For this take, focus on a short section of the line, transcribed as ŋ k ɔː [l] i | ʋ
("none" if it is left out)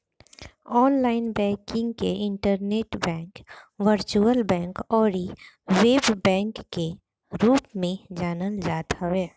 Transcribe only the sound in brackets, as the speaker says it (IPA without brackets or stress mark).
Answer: ɾ